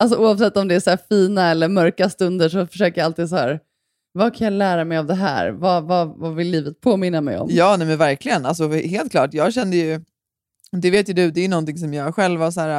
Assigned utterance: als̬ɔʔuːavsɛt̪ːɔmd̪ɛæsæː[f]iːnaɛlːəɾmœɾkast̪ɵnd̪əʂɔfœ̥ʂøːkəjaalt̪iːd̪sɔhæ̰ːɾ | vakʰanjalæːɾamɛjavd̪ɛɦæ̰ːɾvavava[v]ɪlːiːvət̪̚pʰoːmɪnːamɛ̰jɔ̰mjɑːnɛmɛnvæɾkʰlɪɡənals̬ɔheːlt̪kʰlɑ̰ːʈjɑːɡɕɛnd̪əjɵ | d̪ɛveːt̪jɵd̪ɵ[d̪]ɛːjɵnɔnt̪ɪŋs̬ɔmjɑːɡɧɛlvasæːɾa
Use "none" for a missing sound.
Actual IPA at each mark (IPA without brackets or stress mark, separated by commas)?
f, v, d̪